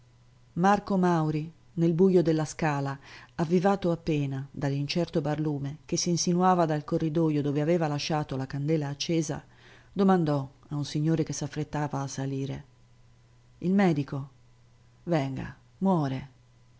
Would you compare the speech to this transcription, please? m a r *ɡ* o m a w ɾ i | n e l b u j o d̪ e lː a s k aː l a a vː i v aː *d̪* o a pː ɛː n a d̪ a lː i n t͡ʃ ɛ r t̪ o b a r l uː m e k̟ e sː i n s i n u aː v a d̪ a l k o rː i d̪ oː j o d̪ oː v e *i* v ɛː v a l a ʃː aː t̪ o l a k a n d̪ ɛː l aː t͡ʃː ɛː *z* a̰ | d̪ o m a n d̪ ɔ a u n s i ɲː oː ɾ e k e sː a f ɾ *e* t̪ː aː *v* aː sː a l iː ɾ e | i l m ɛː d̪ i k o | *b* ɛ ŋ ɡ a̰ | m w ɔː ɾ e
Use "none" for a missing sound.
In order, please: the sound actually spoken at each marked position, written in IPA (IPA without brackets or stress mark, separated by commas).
k, t̪, a, z, e, v, v